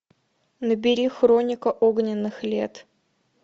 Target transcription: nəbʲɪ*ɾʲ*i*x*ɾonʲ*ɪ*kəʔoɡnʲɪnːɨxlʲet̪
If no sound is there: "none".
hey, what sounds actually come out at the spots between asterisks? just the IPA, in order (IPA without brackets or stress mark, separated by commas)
ɾʲ, x, ɪ